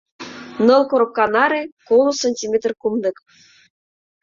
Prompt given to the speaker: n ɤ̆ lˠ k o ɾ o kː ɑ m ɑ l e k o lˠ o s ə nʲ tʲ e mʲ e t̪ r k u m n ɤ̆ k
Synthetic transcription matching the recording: n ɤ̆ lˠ k o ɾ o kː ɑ n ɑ ɾ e k o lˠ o s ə nʲ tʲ i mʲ e t̪ r k u m n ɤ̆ k

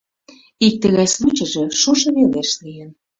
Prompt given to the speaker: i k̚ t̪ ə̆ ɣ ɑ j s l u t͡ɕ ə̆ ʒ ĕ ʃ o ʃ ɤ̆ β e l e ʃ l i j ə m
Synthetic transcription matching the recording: i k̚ t̪ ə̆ ɣ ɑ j s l u t͡ɕ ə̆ ʒ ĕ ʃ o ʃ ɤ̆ β e l e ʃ l i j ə n

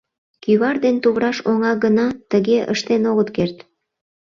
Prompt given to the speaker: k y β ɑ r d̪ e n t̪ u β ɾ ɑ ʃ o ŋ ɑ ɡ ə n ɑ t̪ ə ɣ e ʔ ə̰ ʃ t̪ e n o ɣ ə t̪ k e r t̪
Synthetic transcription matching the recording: k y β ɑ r d̪ e n t̪ u β ɾ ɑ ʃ o ŋ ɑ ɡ ə n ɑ t̪ ə ɣ e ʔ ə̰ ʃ t̪ e n o ɣ ə t̪ k e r t̪

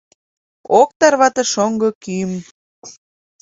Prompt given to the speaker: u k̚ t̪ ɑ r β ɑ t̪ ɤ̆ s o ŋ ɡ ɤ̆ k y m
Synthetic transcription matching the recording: o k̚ t̪ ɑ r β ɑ t̪ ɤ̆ ʃ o ŋ ɡ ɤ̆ k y m

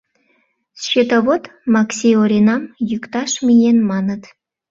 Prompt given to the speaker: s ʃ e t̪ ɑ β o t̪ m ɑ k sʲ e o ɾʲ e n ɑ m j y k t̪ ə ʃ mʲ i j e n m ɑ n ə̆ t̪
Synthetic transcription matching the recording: s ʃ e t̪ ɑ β o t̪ m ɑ k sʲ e o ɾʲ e n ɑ m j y k t̪ ɑ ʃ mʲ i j e n m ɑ n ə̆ t̪

